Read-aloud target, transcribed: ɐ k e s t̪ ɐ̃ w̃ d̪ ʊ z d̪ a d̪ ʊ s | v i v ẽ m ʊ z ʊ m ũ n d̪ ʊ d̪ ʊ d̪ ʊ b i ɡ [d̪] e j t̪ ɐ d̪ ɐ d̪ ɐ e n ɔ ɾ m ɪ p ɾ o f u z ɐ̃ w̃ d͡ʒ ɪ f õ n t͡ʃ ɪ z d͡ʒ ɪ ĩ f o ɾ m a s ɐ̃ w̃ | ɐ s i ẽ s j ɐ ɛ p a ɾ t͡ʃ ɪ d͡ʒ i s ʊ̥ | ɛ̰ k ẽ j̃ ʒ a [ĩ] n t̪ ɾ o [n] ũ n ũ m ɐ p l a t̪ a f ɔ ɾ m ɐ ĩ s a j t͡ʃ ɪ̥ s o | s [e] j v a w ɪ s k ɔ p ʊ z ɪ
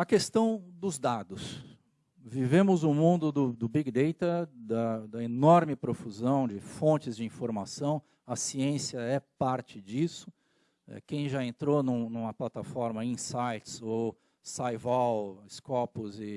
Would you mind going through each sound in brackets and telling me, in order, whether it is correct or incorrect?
correct, incorrect, correct, incorrect

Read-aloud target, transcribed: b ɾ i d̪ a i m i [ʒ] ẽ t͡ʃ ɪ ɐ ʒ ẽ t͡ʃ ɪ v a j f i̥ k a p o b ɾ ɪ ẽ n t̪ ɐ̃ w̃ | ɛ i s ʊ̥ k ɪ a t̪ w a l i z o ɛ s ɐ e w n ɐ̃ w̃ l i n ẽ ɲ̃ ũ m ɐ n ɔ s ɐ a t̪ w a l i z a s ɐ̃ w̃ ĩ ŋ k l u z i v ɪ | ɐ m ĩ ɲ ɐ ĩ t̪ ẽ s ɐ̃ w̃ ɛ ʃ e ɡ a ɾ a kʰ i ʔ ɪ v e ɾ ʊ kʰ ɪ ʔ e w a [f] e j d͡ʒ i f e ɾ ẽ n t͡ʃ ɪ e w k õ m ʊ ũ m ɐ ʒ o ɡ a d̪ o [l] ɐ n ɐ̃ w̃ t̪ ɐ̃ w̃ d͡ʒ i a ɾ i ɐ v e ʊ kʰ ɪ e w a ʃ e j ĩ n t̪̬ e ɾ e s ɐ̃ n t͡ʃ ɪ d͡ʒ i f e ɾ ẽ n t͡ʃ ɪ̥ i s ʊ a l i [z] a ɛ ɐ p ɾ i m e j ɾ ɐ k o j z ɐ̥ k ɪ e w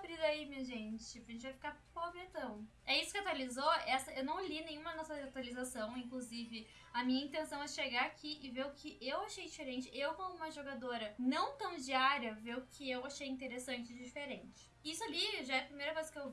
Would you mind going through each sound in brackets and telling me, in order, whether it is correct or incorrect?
correct, incorrect, incorrect, incorrect

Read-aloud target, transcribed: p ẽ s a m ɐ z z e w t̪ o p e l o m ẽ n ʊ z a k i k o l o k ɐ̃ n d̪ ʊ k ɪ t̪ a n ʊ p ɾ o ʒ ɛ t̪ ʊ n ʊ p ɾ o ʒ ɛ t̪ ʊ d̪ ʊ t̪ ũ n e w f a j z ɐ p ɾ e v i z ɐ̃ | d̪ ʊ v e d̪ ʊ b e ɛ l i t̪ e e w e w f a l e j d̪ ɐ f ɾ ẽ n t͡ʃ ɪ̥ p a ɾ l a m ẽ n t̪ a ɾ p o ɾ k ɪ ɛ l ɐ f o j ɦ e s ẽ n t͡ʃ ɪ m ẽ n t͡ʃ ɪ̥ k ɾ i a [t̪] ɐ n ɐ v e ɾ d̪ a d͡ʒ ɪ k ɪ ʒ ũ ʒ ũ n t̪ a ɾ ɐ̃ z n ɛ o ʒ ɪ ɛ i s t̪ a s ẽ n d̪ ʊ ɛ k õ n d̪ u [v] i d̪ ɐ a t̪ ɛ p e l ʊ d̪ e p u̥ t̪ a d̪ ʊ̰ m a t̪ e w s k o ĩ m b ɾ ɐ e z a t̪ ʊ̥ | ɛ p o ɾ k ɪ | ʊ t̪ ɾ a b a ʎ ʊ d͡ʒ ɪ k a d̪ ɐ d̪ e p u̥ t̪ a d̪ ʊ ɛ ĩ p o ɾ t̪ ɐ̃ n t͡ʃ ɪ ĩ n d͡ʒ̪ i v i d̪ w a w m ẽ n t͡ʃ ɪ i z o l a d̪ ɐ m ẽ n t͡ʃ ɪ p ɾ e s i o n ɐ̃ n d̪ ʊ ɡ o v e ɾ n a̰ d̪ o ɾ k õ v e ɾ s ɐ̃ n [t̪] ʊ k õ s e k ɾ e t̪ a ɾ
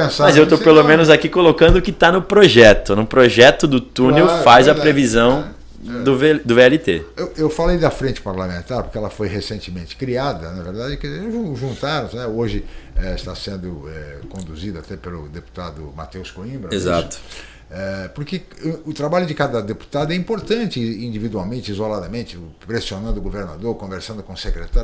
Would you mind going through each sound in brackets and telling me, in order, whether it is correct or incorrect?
incorrect, incorrect, incorrect

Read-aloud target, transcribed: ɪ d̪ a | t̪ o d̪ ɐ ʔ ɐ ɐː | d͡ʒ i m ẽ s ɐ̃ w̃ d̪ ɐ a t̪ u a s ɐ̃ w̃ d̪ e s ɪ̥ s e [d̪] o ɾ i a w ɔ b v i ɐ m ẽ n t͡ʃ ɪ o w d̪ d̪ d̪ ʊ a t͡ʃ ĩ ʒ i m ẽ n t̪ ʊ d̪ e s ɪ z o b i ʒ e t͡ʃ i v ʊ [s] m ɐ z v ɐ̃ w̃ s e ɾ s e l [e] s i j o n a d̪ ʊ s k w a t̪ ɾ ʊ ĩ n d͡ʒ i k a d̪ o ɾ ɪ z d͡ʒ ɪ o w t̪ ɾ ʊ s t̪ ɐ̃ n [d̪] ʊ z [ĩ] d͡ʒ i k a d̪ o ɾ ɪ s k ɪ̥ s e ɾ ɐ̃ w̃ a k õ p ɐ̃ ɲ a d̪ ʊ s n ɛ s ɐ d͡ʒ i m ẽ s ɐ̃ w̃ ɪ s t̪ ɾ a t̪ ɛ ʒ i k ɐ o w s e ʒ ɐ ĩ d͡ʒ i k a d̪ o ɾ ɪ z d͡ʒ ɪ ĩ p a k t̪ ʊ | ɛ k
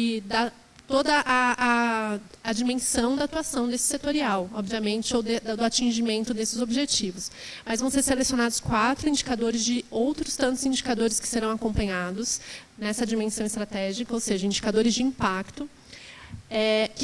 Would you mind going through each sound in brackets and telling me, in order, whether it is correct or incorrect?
incorrect, correct, correct, incorrect, correct

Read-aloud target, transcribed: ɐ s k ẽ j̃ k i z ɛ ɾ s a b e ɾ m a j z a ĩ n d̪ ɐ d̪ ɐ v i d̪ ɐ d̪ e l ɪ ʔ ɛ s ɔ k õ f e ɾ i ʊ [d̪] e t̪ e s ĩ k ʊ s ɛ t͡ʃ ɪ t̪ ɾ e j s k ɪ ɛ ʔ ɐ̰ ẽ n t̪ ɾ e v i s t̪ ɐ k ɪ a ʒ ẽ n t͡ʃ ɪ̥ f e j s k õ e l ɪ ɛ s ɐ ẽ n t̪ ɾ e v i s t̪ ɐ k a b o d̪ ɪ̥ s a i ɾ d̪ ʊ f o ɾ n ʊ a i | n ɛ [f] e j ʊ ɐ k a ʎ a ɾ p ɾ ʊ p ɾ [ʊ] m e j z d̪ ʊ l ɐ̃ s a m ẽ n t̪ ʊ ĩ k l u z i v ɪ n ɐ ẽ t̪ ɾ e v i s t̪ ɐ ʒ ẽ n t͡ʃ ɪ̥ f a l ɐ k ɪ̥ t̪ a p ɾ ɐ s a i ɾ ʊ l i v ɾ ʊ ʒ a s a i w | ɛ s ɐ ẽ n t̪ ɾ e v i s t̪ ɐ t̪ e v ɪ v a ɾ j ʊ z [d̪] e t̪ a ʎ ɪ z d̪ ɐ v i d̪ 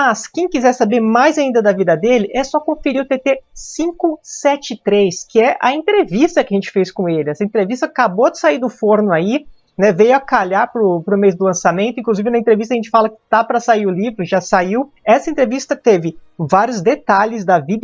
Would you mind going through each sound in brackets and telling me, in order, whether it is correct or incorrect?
incorrect, incorrect, correct, correct

